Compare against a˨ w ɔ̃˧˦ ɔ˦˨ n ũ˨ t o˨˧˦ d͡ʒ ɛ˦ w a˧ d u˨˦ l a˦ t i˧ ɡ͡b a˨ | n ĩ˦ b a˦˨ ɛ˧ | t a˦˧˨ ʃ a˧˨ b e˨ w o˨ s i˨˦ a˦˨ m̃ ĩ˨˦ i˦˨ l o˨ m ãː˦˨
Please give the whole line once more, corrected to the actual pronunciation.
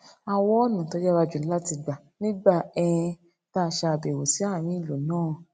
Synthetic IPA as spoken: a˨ w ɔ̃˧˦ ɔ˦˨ n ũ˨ t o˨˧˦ d͡ʒ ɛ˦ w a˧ d͡ʒ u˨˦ l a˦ t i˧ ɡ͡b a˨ | n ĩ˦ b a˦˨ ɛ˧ | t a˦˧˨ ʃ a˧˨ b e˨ w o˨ s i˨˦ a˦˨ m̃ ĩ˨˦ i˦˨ l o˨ n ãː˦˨

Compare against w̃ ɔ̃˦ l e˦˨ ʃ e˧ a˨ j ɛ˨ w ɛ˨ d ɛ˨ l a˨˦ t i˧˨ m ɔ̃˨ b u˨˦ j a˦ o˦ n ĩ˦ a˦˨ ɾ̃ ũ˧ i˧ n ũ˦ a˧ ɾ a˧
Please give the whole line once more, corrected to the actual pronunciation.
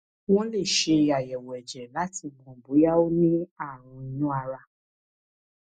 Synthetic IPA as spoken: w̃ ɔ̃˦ l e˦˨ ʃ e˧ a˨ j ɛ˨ w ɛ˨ d͡ʒ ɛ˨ l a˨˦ t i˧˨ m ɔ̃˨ b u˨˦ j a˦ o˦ n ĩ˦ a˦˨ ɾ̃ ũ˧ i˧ n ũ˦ a˧ ɾ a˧

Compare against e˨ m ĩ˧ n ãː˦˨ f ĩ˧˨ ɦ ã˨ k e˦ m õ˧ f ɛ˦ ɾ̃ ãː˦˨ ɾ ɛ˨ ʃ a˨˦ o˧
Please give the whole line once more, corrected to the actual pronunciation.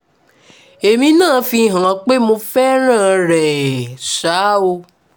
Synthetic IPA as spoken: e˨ m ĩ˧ n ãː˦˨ f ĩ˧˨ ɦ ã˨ k͡p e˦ m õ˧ f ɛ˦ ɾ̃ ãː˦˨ ɾ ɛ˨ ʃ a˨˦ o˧

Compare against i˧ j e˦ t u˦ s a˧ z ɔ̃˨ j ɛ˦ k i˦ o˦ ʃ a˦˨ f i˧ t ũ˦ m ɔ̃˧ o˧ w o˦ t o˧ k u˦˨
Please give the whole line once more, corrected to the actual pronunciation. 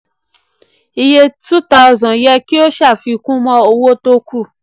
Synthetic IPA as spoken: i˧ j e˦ t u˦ t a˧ z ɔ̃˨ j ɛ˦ k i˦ o˦ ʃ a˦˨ f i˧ k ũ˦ m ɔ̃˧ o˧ w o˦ t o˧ k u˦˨

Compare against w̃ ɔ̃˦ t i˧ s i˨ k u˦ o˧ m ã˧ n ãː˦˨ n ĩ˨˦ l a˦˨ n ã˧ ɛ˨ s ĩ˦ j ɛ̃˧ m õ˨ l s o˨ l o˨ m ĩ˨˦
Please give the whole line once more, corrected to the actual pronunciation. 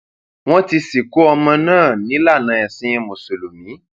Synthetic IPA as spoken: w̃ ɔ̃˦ t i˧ s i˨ k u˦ ɔ˧ m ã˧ n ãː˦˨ n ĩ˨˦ l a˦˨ n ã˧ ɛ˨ s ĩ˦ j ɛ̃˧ m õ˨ s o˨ l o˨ m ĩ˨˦

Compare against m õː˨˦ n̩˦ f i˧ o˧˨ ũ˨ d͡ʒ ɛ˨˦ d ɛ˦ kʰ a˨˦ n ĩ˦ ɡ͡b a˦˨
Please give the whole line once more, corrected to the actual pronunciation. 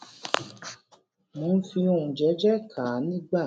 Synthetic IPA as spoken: m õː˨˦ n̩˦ f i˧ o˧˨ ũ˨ d͡ʒ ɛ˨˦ d͡ʒ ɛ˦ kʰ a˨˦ n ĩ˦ ɡ͡b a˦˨

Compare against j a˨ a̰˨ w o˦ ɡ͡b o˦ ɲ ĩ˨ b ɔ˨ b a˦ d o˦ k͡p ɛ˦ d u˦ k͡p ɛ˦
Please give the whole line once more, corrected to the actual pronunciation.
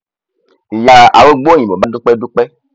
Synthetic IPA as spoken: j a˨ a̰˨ w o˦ ɡ͡b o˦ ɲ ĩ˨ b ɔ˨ b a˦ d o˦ k͡p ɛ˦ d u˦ k͡p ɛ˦

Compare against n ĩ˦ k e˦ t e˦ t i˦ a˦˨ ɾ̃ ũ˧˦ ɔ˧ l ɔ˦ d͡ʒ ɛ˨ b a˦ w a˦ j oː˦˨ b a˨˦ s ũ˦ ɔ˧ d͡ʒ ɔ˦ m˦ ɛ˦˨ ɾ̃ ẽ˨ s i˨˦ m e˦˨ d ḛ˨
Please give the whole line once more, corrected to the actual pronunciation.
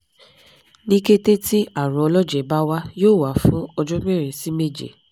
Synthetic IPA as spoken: n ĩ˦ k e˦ t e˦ t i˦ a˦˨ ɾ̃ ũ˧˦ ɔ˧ l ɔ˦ d͡ʒ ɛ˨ b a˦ w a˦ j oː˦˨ w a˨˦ f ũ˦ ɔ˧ d͡ʒ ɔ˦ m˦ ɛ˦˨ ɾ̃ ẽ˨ s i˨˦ m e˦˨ d͡ʒ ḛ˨

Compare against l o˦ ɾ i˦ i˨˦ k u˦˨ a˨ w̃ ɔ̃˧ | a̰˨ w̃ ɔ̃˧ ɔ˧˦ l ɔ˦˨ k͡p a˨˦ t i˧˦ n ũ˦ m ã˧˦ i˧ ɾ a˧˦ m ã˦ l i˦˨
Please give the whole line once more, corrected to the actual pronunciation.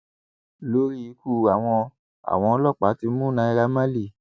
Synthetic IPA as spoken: l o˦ ɾ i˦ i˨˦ k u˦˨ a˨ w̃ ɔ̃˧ | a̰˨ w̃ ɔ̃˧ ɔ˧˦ l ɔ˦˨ k͡p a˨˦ t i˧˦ m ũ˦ n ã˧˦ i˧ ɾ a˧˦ m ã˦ l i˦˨

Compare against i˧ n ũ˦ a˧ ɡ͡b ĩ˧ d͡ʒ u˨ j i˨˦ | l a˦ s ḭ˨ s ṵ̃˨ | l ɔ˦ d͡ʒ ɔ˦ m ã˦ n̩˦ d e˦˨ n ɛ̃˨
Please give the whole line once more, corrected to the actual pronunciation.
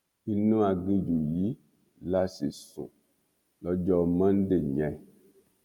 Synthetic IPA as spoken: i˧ n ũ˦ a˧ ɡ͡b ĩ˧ d͡ʒ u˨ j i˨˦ | l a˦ s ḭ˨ s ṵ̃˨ | l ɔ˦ d͡ʒ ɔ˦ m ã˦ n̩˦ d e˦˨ ɲ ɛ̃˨

